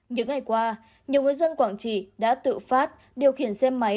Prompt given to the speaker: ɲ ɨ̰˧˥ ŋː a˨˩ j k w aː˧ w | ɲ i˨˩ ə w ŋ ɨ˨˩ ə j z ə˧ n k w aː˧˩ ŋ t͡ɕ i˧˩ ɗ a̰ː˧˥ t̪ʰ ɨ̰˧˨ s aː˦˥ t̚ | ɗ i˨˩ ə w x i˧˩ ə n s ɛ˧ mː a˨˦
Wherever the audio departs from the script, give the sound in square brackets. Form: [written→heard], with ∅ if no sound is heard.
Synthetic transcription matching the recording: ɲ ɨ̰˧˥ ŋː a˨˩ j k w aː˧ [w→∅] | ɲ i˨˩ ə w ŋ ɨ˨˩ ə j z ə˧ n k w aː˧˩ ŋ t͡ɕ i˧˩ ɗ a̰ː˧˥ [t̪ʰ→t̪] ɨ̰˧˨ [s→f] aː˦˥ t̚ | ɗ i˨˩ ə w x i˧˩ ə n s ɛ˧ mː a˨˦

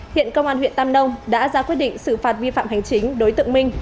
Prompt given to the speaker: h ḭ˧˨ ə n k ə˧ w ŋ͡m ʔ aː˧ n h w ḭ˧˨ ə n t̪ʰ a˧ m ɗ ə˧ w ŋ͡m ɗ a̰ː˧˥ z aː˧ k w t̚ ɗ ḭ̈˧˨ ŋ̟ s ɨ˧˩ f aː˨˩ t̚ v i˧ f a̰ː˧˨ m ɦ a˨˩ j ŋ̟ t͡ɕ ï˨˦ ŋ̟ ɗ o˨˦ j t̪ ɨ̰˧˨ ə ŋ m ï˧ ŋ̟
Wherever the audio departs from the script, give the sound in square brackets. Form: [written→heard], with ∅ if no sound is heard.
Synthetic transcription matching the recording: h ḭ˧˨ ə n k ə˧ w ŋ͡m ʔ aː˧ n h w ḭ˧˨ ə n [t̪ʰ→t̪] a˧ m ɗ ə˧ w ŋ͡m ɗ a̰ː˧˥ z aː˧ k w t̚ ɗ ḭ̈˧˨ ŋ̟ s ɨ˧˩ f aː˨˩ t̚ v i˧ f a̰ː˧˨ m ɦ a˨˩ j ŋ̟ t͡ɕ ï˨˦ ŋ̟ ɗ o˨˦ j t̪ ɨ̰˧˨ ə ŋ m ï˧ ŋ̟

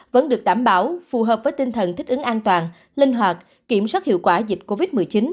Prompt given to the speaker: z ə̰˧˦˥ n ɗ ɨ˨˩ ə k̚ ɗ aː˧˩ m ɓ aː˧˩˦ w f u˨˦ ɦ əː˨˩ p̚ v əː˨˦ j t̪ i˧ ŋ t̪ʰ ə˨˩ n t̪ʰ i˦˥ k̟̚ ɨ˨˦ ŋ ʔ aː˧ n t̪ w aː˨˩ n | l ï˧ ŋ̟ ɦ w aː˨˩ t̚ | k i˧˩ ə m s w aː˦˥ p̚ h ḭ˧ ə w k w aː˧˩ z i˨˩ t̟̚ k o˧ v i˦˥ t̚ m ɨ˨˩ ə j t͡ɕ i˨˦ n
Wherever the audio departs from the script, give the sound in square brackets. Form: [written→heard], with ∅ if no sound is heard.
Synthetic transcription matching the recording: [z→v] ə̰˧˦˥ n ɗ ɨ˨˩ ə k̚ ɗ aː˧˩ m ɓ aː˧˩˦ w f [u˨˦→u˨˩] ɦ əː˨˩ p̚ v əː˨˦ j t̪ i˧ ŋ t̪ʰ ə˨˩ n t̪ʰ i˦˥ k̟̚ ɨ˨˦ ŋ ʔ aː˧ n t̪ w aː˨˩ n | l ï˧ ŋ̟ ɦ w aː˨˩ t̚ | k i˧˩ ə m s w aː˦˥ [p̚→t̚] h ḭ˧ ə w k w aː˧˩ z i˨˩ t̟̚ k o˧ v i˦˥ t̚ m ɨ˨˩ ə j t͡ɕ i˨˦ n

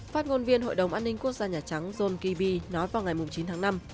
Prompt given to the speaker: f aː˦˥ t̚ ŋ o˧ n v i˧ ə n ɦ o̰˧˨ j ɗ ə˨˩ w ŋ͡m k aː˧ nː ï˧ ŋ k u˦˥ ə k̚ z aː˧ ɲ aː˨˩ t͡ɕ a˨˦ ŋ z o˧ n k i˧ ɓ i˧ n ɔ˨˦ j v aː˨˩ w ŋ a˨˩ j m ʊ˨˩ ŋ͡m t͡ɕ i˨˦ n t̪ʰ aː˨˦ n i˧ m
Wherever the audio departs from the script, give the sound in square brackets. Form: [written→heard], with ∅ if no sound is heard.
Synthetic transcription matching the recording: f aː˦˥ t̚ ŋ o˧ n v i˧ ə n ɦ o̰˧˨ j ɗ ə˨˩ w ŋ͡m [k→ʔ] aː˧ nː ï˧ ŋ k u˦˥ ə k̚ z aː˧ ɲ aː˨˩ t͡ɕ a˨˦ ŋ z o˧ n k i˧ ɓ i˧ n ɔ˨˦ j v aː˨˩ w ŋ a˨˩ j m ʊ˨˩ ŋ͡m t͡ɕ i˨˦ n t̪ʰ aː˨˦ n [i˧→a˧] m

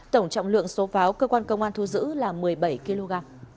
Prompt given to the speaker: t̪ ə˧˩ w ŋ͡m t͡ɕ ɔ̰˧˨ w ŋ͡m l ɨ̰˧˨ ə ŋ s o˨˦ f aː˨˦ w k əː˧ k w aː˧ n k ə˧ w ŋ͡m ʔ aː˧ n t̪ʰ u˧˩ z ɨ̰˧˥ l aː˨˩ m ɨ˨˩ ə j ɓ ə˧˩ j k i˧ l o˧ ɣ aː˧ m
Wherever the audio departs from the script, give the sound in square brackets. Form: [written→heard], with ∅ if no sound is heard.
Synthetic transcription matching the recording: t̪ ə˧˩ w ŋ͡m t͡ɕ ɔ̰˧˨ w ŋ͡m l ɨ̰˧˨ ə ŋ s o˨˦ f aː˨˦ w k əː˧ k w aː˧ n k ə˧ w ŋ͡m ʔ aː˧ n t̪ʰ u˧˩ z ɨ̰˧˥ l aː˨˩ m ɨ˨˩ ə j ɓ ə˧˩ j k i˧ l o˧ ɣ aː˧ m

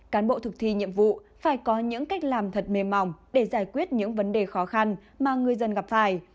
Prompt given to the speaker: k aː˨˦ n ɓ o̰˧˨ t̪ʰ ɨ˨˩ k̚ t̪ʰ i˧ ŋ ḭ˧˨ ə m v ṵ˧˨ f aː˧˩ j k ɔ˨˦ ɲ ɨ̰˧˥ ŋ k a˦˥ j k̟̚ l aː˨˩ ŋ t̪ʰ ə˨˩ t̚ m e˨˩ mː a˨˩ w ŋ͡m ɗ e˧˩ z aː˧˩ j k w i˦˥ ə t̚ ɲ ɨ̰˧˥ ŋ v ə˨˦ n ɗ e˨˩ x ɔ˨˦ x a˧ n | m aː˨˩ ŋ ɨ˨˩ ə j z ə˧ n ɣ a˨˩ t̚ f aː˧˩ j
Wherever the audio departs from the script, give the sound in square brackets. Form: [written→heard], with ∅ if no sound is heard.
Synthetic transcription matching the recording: k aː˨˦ n ɓ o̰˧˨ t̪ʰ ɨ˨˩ k̚ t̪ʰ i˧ [ŋ→ɲ] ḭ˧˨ ə m v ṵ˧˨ f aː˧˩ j k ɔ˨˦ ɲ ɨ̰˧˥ ŋ k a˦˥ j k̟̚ l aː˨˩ [ŋ→m] t̪ʰ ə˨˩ t̚ m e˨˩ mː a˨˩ w ŋ͡m ɗ e˧˩ z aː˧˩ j k w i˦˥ ə t̚ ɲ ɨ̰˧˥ ŋ v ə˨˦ n ɗ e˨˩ x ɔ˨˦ x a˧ n | m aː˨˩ ŋ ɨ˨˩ ə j z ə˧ n ɣ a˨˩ [t̚→p̚] f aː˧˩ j

